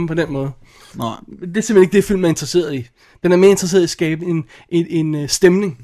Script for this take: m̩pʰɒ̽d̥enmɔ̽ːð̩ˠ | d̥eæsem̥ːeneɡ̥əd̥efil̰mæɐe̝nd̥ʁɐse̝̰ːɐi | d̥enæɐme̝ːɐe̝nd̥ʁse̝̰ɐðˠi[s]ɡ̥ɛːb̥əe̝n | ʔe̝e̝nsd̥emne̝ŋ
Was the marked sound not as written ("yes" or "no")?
no